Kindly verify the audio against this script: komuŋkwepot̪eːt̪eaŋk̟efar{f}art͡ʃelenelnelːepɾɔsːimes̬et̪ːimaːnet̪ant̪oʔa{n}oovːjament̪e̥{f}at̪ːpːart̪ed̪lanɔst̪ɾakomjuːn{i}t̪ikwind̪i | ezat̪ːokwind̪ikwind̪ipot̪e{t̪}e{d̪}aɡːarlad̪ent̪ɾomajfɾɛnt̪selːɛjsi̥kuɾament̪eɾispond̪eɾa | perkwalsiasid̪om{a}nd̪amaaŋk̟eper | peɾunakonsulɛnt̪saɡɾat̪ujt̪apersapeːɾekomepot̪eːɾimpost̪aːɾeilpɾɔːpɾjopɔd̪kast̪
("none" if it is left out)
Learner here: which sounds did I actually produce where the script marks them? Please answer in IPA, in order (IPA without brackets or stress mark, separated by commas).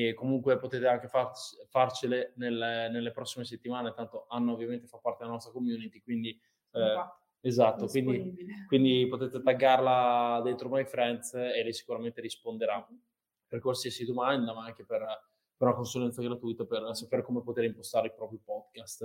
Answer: f, nː, f, i, t̪, t̪, a